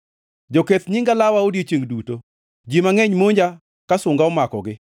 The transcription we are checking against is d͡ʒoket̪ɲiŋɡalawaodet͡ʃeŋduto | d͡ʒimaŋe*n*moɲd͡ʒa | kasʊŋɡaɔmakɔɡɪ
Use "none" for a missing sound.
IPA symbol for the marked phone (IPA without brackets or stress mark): ɲ